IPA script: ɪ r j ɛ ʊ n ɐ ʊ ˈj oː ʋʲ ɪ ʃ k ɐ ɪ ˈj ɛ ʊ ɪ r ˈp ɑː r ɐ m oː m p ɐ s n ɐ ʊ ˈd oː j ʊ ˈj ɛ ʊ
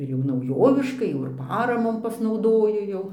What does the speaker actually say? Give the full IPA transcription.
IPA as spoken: ɪ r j ɛ ʊ n ɐ ʊ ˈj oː ʋʲ ɪ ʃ k ɐ ɪ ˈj ɛ ʊ ɪ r ˈp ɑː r ɐ m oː m p ɐ s n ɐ ʊ ˈd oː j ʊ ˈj ɛ ʊ